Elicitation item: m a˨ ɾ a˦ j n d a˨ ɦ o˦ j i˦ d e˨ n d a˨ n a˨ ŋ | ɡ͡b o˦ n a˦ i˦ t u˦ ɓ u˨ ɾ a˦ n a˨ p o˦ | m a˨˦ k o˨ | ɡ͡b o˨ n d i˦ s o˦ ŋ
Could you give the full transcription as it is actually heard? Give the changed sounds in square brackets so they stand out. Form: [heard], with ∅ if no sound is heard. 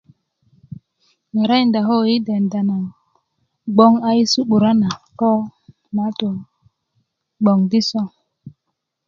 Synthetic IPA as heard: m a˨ ɾ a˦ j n d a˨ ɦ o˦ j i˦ d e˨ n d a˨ n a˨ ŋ | ɡ͡b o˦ [ŋ] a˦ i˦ [s] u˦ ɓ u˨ ɾ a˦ n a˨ [k] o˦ | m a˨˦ [t] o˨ | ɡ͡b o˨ [ŋ] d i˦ s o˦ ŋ